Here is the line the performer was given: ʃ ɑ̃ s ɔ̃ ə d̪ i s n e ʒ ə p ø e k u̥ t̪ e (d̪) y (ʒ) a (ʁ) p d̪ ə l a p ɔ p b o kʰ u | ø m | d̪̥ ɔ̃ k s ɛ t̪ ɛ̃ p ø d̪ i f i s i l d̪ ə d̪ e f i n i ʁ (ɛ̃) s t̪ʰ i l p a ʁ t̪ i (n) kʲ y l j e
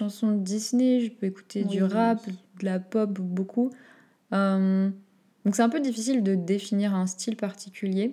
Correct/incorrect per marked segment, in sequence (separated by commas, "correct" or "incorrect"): correct, incorrect, incorrect, correct, incorrect